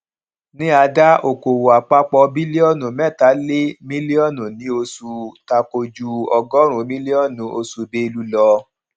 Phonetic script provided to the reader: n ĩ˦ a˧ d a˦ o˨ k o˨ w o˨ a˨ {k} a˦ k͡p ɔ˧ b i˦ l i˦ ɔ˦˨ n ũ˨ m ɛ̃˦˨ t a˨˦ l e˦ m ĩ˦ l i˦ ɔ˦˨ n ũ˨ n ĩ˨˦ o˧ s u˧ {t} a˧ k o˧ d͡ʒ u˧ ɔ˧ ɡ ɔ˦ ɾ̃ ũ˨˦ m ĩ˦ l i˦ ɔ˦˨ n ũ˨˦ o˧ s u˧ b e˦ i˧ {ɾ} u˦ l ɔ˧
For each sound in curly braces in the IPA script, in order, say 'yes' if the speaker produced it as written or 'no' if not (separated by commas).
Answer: no, yes, no